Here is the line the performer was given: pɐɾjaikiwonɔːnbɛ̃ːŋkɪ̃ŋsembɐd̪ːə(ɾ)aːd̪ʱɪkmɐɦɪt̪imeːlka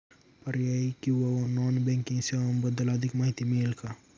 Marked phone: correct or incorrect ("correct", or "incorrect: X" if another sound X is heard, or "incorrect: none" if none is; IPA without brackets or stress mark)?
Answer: incorrect: l